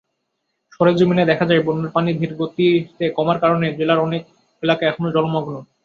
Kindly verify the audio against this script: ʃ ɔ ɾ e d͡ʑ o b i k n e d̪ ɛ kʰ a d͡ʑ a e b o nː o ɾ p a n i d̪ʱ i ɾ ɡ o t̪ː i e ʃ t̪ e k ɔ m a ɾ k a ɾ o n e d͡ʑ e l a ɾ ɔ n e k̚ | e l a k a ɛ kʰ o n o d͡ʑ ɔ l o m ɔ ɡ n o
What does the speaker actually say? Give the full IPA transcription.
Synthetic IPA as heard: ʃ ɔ ɾ e d͡ʑ o m i n e d̪ ɛ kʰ a d͡ʑ a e b o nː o ɾ p a n i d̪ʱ i ɾ ɡ o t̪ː i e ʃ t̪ e k ɔ m a ɾ k a ɾ o n e d͡ʑ e l a ɾ ɔ n e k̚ | e l a k a ɛ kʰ o n o d͡ʑ ɔ l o m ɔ ɡ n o